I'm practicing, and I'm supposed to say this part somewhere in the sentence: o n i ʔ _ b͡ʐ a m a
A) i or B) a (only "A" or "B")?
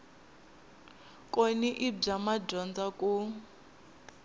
A